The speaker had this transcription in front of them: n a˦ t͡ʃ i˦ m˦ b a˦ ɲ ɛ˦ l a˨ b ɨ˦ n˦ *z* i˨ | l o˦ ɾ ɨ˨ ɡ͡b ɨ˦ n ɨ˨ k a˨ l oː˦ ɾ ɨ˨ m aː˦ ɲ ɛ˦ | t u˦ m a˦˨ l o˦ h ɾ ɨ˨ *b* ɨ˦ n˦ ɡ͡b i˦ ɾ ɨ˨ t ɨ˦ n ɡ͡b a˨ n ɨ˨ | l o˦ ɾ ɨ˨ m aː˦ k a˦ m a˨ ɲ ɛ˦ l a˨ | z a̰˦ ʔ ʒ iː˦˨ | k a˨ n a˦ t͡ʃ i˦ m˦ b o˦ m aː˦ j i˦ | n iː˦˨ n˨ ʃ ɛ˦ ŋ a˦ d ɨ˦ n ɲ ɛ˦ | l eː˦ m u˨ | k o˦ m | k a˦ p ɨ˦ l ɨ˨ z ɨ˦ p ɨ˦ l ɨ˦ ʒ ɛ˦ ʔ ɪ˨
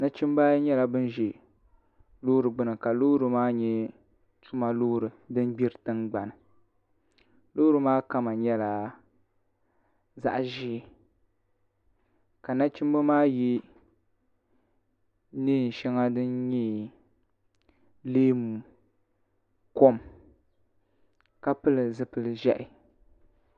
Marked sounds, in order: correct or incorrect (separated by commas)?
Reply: incorrect, incorrect